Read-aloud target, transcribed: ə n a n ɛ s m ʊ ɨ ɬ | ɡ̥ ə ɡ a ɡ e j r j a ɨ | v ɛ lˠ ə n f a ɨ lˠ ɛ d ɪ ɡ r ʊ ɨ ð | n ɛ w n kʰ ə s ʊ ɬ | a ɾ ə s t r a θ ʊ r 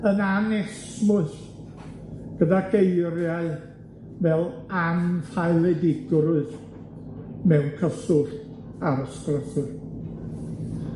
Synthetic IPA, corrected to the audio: ə n a n ɛ s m ʊ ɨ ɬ | ɡ̥ ə d a ɡ e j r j a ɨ | v ɛ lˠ a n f a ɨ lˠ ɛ d ɪ ɡ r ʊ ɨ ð | m ɛ w n kʰ ə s ʊ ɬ | a ɾ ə s k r ə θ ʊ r